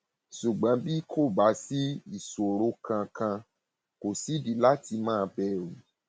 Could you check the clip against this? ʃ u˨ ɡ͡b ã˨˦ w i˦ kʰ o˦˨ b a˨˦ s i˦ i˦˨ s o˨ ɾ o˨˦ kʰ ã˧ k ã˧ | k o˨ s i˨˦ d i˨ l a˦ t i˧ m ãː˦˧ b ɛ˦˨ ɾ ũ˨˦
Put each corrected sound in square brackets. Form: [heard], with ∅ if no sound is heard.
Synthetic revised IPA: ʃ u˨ ɡ͡b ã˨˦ [b] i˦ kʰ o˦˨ b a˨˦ s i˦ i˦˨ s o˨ ɾ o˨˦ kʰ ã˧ k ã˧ | k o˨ s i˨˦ d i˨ l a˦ t i˧ m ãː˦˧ b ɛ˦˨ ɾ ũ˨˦